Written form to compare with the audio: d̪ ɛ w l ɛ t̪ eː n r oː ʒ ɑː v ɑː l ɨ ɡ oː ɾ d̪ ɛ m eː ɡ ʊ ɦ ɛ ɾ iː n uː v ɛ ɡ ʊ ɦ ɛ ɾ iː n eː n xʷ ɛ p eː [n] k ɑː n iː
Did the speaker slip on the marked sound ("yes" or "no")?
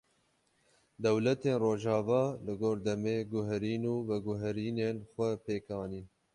yes